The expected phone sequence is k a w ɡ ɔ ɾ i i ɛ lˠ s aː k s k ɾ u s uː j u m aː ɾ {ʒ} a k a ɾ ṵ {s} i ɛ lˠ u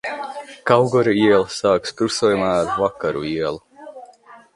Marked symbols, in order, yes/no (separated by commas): no, no